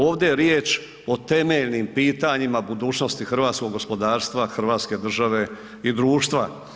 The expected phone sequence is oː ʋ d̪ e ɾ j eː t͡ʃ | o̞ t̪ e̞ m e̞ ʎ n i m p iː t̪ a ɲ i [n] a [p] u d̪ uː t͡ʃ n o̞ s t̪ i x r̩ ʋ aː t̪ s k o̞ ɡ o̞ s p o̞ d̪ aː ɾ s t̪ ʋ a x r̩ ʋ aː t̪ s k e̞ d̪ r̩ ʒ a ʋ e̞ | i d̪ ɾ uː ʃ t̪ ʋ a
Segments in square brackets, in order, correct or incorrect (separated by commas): incorrect, incorrect